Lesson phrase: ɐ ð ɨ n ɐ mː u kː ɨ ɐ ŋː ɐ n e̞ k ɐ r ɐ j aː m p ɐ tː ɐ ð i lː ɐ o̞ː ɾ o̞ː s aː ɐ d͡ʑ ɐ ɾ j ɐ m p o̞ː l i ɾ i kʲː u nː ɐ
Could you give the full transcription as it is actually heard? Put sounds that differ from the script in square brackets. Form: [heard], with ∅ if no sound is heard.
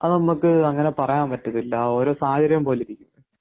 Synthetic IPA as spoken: ɐ ð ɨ n ɐ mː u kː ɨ ɐ ŋː ɐ n e̞ [p] ɐ r ɐ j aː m p ɐ tː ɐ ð i lː ɐ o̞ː ɾ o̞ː s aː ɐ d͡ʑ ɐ ɾ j ɐ m p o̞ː l i ɾ i kʲː u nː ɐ